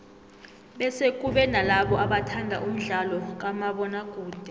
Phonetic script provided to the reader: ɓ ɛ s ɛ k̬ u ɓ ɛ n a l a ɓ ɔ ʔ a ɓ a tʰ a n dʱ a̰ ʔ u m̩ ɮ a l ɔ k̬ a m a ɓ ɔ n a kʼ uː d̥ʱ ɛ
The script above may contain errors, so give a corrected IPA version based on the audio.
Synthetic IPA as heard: ɓ ɛ s e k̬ u ɓ ɛ n a l a ɓ ɔ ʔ a ɓ a tʰ a n dʱ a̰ ʔ u m̩ ɮ a l ɔ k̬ a m a ɓ ɔ n a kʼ uː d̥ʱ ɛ

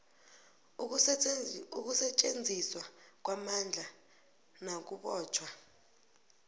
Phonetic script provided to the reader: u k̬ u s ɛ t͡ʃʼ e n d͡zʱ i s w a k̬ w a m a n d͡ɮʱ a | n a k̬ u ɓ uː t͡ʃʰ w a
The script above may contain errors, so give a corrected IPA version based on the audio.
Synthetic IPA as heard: u k̬ u s ɛ t͡ʃʼ e n d͡zʱ i s w a k̬ w a m a n d͡ɮʱ a | n a k̬ u ɓ ɔː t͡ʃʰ w a

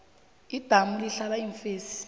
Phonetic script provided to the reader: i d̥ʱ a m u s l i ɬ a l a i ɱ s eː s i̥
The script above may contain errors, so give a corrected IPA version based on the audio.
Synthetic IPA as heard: i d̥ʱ a m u l i ɬ a l a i ɱ f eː s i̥

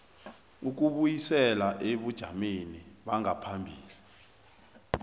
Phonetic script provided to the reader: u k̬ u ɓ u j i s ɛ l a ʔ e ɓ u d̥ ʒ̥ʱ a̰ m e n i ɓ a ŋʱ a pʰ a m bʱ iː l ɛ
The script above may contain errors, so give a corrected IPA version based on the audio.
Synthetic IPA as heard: u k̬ u ɓ u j i s ɛ l a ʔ e ɓ u d̥ ʒ̥ʱ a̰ m e n i ɓ a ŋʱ a pʰ a m bʱ iː l i

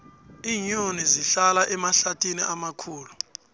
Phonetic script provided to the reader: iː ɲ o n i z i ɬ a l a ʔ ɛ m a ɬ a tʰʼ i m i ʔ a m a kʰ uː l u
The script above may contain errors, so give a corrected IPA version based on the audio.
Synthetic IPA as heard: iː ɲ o n i z i ɬ a l a ʔ ɛ m a ɬ a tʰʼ i n i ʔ a m a kʰ uː l u

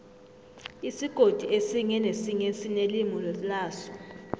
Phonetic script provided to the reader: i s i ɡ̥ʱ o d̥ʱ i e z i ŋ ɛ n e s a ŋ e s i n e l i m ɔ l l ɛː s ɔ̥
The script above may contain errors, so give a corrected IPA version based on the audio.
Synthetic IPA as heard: i s i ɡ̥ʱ o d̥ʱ i e s i ŋ ɛ n e s i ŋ e s i n e l i m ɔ l l aː s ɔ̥

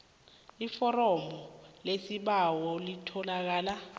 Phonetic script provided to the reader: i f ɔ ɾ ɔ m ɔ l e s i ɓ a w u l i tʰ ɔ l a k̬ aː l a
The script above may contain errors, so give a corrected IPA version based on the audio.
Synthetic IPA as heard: i f ɔ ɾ ɔ m ɔ l e s i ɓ a w ɔ l i tʰ ɔ l a k̬ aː l a

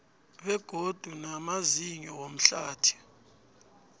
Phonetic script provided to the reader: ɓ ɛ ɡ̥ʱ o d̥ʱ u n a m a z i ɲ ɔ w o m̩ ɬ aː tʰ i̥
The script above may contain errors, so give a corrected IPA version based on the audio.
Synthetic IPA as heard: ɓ ɛ ɡ̥ʱ o d̥ʱ u n a m a z i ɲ ɔ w o m̩ ɬ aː tʰ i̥

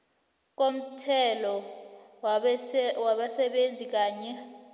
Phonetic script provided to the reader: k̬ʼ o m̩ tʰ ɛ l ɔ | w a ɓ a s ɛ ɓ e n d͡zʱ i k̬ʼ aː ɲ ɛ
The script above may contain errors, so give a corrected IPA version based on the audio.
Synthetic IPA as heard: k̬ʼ o m̩ tʰ ɛ l ɔ | w a ɓ a s ɛ ɓ e n d͡zʱ i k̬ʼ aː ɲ ɛ

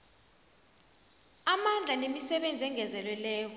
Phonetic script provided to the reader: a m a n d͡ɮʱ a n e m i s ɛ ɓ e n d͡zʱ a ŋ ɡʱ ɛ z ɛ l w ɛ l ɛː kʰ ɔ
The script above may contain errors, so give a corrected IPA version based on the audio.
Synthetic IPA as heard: a m a n d͡ɮʱ a n e m i s ɛ ɓ e n d͡zʱ ɛ ŋ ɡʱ ɛ z ɛ l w ɛ l ɛː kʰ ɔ

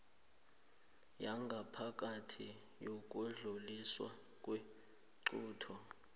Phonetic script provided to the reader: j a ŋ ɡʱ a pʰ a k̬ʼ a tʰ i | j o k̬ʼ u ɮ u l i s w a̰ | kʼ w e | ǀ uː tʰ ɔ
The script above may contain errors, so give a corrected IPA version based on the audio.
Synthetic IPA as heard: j a ŋ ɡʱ a pʰ a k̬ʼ a tʰ i | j o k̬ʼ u ɮ u l i s w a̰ | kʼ w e | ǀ uː tʰ ɔ

